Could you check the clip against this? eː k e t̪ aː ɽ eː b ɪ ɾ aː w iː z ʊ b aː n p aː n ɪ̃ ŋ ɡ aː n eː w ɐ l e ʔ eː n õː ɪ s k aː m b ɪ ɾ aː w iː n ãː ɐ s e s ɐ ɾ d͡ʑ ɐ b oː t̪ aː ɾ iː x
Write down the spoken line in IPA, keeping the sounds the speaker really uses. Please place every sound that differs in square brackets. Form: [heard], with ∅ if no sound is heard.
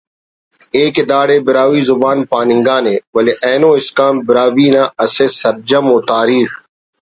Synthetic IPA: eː k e [d̪] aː ɽ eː b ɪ ɾ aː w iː z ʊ b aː n p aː n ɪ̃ ŋ ɡ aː n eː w ɐ l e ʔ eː n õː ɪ s k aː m b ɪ ɾ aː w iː n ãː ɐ s e s ɐ ɾ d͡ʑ ɐ [m] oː t̪ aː ɾ iː x